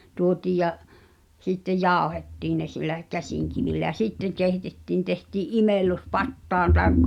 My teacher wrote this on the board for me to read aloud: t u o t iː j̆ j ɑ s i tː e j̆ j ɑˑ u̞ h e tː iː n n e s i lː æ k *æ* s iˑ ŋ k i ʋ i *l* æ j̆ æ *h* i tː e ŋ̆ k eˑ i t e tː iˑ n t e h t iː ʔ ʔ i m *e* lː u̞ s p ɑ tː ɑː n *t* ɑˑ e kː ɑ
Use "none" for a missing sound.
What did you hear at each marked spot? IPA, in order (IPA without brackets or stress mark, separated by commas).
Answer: æ, lː, s, e, t